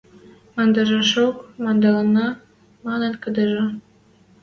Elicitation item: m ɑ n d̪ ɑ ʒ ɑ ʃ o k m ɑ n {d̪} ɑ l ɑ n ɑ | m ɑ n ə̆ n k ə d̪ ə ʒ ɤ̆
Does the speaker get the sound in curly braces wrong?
no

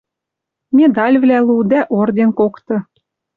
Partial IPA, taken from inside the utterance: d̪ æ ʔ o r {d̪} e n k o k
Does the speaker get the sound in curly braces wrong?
no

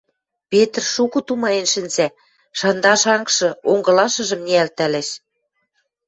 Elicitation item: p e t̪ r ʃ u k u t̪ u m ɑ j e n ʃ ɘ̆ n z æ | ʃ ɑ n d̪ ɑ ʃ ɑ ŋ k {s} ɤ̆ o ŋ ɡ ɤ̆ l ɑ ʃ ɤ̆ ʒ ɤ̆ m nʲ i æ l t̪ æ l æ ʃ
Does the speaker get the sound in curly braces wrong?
yes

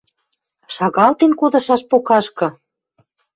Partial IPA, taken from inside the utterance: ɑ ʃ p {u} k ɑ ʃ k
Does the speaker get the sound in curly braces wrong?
yes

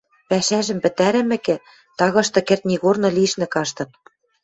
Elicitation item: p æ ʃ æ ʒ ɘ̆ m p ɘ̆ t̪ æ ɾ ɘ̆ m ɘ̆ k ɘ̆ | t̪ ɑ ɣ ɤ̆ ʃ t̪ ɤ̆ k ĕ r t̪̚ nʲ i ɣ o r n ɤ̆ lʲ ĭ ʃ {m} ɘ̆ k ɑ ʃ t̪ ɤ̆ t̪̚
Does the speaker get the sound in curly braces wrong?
yes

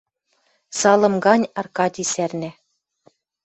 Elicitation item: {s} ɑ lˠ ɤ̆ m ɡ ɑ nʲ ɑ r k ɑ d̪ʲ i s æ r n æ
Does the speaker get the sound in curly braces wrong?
no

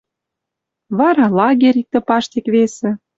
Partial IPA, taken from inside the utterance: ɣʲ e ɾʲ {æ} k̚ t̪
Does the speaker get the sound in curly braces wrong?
yes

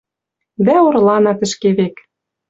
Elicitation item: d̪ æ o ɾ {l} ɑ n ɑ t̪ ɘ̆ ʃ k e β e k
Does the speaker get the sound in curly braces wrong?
no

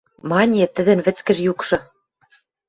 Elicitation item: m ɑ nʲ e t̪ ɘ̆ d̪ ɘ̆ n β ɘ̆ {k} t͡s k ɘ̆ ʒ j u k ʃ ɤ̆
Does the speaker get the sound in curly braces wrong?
yes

